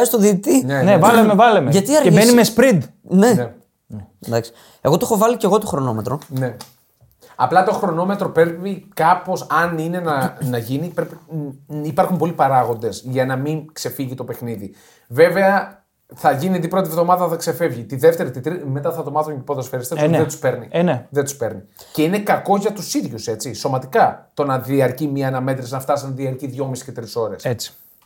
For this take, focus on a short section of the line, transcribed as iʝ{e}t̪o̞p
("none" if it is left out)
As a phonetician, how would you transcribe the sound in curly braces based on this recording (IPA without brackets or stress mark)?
i